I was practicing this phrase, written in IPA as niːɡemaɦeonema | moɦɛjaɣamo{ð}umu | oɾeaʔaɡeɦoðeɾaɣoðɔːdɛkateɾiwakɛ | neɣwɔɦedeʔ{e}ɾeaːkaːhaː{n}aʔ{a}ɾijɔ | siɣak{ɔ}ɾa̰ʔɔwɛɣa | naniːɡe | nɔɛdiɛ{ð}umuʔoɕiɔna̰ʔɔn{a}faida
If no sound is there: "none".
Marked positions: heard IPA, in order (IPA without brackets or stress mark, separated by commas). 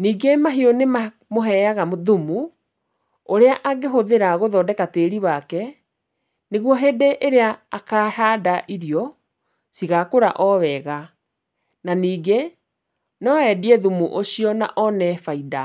ð, e, d, i, o, ð, ɛ